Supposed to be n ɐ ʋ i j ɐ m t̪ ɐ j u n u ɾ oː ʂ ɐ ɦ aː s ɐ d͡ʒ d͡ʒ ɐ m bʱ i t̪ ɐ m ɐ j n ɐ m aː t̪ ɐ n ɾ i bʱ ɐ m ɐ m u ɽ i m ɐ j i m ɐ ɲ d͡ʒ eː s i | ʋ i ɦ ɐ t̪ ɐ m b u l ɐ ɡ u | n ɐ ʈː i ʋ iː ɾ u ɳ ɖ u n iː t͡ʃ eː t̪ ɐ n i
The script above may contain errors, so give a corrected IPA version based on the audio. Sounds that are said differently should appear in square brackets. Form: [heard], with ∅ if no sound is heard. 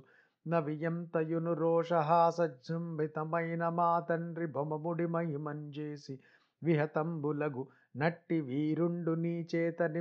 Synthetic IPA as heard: n ɐ ʋ i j ɐ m t̪ ɐ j u n u ɾ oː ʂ ɐ ɦ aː s ɐ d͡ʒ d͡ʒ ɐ m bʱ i t̪ ɐ m ɐ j n ɐ m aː t̪ ɐ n ɾ i bʱ ɐ m ɐ m u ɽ i m ɐ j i m ɐ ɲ d͡ʒ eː s i | ʋ i ɦ ɐ t̪ ɐ m b u l ɐ ɡ u | n ɐ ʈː i ʋ iː ɾ u ɳ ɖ u n iː t͡ʃ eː t̪ ɐ n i